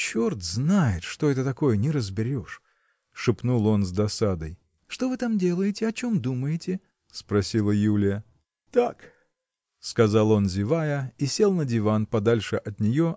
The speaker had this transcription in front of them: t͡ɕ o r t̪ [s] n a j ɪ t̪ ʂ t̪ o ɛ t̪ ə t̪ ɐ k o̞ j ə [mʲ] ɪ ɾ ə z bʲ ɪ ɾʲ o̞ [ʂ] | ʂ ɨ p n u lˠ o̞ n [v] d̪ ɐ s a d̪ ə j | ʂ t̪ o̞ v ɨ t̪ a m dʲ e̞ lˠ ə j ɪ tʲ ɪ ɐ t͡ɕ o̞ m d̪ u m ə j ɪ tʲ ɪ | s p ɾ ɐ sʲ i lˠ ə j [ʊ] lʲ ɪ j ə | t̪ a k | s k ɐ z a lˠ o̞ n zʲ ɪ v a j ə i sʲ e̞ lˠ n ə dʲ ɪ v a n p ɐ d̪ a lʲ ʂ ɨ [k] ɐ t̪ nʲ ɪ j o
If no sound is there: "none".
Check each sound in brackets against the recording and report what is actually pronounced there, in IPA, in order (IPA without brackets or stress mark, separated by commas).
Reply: z, nʲ, ʂ, z, u, ʔ